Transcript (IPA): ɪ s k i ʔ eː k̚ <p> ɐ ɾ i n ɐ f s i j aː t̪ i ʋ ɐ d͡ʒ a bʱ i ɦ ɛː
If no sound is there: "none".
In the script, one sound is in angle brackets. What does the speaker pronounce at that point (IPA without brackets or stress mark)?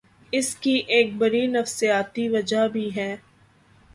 b